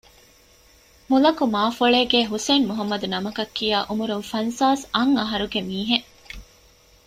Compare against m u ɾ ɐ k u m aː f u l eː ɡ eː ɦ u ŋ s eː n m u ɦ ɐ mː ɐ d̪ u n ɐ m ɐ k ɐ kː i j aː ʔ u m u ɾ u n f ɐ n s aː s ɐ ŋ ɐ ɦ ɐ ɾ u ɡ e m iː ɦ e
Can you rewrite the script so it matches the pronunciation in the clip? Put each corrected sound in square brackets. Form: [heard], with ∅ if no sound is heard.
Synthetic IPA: m u [l] ɐ k u m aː f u [ɭ] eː ɡ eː ɦ u [∅] s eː n m u ɦ ɐ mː ɐ d̪ u n ɐ m ɐ k ɐ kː i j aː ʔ u m u ɾ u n f ɐ n s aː s ɐ ŋ ɐ ɦ ɐ ɾ u ɡ e m iː ɦ e